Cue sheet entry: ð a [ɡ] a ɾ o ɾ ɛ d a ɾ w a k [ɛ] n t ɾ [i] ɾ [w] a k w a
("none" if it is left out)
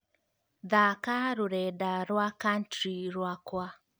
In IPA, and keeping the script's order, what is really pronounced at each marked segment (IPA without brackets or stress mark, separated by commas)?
k, a, i, w